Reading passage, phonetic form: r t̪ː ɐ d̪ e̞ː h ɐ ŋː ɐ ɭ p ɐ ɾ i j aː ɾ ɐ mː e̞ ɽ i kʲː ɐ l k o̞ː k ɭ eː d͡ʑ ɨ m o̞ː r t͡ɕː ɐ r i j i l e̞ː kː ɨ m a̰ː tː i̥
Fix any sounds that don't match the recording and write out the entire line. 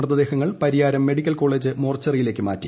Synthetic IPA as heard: r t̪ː ɐ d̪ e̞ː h ɐ ŋː ɐ ɭ p ɐ ɾ i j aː ɾ ɐ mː e̞ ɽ i kʲː ɐ l k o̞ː ɭ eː d͡ʑ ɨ m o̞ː r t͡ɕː ɐ r i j i l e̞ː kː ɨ m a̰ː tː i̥